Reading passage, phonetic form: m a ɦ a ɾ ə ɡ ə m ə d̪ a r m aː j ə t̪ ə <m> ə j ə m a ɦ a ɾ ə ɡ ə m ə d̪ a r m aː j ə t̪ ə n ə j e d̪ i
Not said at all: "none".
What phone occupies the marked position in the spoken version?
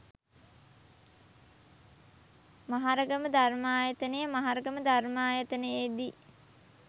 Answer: n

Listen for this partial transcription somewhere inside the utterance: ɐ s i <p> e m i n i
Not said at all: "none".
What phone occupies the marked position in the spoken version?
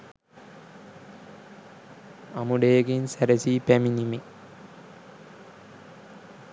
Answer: p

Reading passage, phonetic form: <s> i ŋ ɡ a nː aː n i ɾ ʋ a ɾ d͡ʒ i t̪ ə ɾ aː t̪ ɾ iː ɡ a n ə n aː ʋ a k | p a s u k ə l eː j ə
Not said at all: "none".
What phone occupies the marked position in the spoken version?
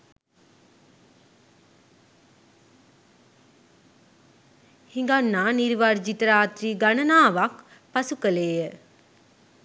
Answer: h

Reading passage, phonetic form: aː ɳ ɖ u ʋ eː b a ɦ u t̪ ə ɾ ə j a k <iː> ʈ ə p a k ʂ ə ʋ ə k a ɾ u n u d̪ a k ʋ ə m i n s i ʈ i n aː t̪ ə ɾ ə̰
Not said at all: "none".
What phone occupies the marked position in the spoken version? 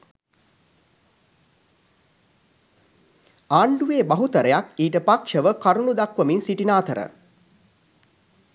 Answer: iː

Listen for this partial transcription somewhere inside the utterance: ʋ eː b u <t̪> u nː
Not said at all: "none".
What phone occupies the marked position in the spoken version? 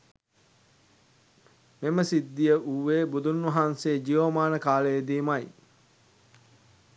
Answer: d̪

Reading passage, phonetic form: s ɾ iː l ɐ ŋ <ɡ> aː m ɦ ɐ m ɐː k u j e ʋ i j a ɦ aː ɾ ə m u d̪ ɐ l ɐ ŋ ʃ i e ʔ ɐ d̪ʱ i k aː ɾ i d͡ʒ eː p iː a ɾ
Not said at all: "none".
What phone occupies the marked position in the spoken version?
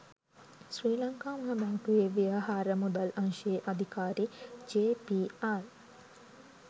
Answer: k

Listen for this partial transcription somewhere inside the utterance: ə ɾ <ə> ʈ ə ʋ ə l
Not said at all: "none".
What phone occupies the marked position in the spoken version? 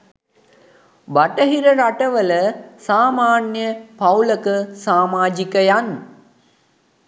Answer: a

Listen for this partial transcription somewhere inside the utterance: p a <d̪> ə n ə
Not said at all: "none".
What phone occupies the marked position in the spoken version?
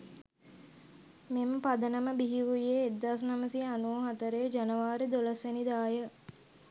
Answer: d̪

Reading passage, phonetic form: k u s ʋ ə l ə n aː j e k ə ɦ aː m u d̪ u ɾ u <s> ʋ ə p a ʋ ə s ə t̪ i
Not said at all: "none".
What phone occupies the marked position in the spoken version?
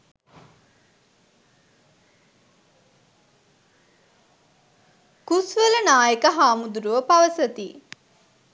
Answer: none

